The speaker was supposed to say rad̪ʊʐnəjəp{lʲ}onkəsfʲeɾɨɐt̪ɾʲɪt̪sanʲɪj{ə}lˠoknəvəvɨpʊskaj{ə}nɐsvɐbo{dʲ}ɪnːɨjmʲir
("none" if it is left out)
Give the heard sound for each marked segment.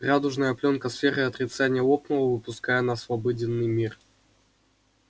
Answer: lʲ, ə, ə, dʲ

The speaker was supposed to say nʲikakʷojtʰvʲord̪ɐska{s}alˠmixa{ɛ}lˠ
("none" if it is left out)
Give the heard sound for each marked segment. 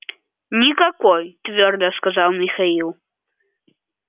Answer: z, i

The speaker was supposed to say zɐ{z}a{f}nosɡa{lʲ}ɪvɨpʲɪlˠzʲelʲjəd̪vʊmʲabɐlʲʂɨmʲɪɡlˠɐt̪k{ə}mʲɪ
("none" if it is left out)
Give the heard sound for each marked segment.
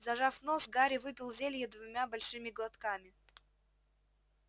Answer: ʐ, f, ɾʲ, a

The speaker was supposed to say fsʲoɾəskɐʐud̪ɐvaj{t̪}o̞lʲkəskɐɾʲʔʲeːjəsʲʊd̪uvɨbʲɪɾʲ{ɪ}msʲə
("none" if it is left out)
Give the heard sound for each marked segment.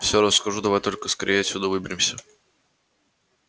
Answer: t̪, ɪ

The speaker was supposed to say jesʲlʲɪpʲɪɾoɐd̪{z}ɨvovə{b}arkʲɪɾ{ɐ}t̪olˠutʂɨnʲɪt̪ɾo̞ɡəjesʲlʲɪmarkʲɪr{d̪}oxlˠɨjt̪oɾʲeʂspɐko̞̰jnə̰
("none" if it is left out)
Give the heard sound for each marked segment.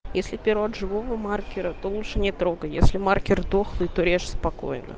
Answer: ʐ, m, ə, d̪

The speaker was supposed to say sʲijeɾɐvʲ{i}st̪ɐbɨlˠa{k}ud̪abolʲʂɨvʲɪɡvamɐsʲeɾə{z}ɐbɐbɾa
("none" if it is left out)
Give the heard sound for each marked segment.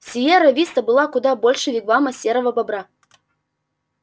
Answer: i, k, v

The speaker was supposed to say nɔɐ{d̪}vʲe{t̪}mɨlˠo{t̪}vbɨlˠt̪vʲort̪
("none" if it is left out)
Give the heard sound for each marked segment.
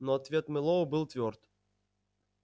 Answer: t̪, t̪, none

